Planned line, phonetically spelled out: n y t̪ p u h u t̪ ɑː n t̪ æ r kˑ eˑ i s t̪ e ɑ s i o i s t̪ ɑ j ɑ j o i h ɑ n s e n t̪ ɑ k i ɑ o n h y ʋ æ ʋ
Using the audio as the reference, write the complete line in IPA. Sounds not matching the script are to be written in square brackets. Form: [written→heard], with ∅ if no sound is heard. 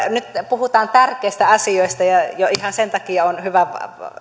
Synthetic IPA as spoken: n y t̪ p u h u t̪ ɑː n t̪ æ r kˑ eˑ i s t̪ [e→æ] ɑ s i o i s t̪ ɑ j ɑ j o i h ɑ n s e n t̪ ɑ k i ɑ o n h y ʋ æ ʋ